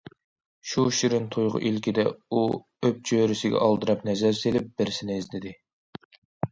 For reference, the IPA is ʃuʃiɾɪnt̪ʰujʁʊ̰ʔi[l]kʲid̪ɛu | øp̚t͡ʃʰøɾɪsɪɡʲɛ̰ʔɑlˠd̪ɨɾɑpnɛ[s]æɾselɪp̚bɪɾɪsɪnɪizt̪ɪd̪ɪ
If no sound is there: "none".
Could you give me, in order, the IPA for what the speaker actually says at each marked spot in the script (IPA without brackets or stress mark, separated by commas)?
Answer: l, z